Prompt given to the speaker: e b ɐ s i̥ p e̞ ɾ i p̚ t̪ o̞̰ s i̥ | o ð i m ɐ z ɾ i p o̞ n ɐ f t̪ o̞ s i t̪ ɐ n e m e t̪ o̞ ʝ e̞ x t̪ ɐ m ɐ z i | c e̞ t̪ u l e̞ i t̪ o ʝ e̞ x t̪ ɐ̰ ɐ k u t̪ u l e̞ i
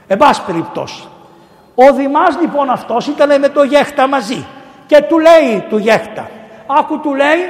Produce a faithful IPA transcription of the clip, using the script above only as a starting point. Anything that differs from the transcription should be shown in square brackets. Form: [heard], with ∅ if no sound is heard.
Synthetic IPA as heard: e b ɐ s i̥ p e̞ ɾ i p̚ t̪ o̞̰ s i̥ | o ð i m ɐ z [l] i p o̞ n ɐ f t̪ o̞ s i t̪ ɐ n e m e t̪ o̞ ʝ e̞ x t̪ ɐ m ɐ z i | c e̞ t̪ u l e̞ i t̪ [u] ʝ e̞ x t̪ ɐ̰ ɐ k u t̪ u l e̞ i